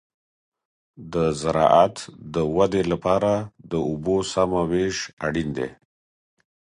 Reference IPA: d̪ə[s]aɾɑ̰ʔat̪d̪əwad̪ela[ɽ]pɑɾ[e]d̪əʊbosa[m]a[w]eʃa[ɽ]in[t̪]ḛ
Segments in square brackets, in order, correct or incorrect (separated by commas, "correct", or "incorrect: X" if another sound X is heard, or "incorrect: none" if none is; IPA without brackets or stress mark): incorrect: z, incorrect: none, incorrect: a, correct, correct, correct, incorrect: d̪